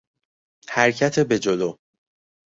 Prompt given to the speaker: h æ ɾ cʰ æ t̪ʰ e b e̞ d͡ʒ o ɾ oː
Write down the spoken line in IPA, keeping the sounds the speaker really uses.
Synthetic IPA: h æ ɾ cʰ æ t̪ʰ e b e̞ d͡ʒ o l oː